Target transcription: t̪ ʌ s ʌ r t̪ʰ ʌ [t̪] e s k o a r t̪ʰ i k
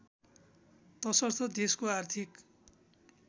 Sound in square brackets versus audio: incorrect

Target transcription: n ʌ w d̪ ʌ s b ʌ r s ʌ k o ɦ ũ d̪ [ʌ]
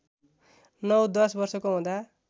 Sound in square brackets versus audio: incorrect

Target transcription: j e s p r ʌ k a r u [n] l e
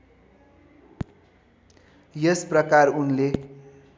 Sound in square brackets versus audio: correct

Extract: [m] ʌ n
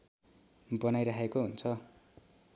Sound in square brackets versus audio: incorrect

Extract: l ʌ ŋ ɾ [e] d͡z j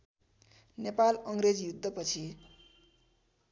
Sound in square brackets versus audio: correct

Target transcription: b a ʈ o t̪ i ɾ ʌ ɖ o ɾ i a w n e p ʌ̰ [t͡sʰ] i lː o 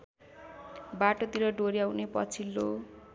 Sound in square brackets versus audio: correct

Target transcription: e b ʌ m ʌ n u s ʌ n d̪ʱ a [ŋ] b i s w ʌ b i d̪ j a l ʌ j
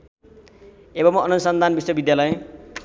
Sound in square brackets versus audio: incorrect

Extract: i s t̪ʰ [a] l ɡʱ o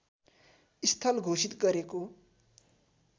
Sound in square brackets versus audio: incorrect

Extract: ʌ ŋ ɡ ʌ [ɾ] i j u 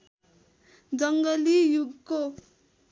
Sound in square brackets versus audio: incorrect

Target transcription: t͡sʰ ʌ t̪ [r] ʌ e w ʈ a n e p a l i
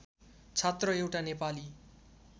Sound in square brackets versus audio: correct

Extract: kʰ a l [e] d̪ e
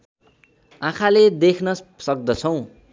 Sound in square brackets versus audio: correct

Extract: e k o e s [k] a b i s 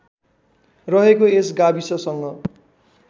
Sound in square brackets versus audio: incorrect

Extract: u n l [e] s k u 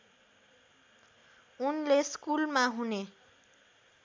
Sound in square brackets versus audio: correct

